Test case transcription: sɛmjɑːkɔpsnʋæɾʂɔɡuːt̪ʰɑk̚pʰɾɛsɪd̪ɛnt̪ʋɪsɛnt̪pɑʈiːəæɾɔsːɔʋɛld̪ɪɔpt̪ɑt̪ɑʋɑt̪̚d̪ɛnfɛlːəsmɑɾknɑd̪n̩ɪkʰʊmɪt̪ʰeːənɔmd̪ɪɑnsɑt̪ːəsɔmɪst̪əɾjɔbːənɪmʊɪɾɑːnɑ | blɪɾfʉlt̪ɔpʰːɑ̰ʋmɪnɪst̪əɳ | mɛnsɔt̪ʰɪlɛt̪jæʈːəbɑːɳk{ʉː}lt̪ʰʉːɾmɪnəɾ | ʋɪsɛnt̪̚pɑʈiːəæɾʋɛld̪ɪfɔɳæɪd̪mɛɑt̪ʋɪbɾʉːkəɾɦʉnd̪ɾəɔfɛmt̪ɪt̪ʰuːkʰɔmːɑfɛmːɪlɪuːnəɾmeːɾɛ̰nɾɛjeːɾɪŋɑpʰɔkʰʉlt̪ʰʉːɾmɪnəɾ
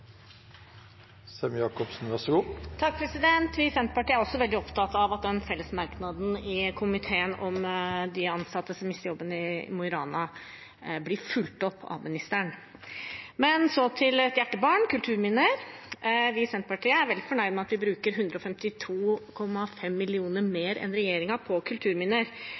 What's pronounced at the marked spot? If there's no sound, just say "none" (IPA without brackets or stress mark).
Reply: ʉ